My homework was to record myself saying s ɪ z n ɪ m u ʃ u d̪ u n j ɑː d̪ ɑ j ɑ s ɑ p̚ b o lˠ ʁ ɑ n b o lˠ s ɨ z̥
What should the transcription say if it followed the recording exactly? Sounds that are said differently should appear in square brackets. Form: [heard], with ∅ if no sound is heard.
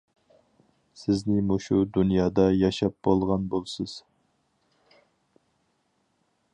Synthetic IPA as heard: s ɪ z n ɪ m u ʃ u d̪ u n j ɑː d̪ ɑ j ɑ [ʃ] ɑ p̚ b o lˠ ʁ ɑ n b o lˠ s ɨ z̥